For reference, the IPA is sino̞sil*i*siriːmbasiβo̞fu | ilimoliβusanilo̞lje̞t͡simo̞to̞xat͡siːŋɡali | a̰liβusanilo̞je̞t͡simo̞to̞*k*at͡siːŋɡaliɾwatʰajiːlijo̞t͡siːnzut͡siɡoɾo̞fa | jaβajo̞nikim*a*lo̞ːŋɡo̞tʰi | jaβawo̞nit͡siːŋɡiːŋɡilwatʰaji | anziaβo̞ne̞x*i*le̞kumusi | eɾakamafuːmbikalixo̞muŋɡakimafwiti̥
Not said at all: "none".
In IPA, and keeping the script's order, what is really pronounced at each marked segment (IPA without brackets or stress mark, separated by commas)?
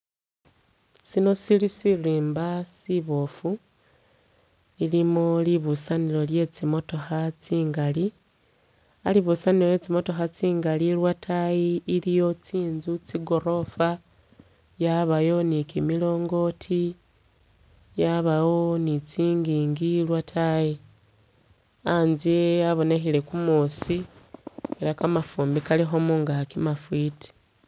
i, x, i, i